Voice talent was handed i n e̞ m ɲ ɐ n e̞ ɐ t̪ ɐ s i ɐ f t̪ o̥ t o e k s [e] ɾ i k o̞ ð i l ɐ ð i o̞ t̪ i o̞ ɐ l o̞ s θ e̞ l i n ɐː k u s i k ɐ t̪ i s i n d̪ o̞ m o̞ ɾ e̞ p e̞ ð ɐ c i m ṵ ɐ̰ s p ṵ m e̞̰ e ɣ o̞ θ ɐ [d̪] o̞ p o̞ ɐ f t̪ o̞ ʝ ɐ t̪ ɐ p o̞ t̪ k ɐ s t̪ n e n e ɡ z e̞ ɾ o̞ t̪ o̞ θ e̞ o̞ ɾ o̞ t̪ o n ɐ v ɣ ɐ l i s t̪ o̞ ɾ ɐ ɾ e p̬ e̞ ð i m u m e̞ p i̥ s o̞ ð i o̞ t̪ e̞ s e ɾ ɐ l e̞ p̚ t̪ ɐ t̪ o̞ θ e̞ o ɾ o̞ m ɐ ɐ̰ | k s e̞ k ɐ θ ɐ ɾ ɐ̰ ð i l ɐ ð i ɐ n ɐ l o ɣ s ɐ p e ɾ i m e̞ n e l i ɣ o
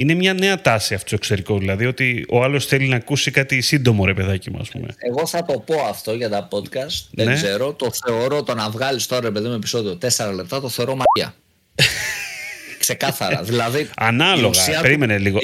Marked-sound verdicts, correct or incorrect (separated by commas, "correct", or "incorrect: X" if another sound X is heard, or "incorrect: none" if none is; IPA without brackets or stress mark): correct, incorrect: t̪